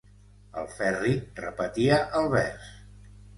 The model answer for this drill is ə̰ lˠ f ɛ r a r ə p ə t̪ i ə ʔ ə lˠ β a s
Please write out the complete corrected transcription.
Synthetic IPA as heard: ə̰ lˠ f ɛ r i r ə p ə t̪ i ə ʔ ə lˠ β ɛ s